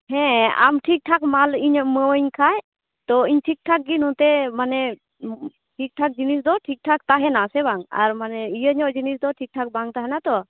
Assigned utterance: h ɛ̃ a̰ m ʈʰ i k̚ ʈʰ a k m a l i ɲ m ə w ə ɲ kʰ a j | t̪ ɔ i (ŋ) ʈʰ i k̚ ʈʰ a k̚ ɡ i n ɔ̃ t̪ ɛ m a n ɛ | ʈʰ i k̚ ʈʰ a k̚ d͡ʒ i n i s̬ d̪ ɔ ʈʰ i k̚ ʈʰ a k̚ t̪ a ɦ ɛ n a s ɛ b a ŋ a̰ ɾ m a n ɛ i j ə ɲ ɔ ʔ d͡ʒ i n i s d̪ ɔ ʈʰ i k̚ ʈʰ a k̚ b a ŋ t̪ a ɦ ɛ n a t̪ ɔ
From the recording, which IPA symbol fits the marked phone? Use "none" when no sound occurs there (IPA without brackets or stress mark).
ɲ